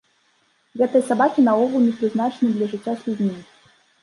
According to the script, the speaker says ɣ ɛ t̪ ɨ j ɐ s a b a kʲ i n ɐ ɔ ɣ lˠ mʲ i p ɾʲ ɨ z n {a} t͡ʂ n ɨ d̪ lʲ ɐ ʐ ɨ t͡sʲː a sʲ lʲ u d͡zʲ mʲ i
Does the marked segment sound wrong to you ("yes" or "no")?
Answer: no